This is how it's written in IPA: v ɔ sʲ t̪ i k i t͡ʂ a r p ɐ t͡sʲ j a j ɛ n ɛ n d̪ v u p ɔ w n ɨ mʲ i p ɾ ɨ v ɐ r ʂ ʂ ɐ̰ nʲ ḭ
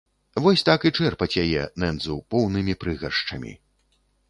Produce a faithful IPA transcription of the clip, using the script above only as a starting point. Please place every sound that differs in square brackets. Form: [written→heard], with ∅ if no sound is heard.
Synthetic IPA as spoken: v ɔ sʲ t̪ [i→a] k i t͡ʂ [a→ɛ] r p ɐ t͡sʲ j a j ɛ n ɛ n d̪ [v→z] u p ɔ w n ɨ mʲ i p ɾ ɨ [v→ɣ] ɐ r ʂ [ʂ→t͡ʂ] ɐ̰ [nʲ→mʲ] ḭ